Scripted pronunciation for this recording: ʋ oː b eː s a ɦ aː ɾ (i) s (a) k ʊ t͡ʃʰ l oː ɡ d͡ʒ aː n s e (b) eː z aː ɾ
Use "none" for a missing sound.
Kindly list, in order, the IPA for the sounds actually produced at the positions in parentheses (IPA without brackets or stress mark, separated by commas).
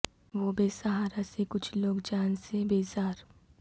a, e, b